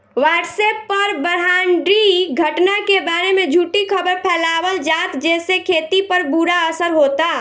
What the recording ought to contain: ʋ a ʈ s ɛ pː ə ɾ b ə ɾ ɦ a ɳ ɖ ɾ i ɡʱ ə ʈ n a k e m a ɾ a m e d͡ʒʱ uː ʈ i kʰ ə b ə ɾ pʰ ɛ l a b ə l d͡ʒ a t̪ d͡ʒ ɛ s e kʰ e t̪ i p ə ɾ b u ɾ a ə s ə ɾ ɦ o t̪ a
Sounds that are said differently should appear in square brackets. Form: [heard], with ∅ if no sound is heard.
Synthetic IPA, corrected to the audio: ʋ a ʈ s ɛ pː ə ɾ b ə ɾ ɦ a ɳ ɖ ɾ i ɡʱ ə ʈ n a k e [b] a ɾ [e] m e d͡ʒʱ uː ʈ i kʰ ə b ə ɾ pʰ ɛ l a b ə l d͡ʒ a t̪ d͡ʒ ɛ s e kʰ e t̪ i p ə ɾ b u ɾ a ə s ə ɾ ɦ o t̪ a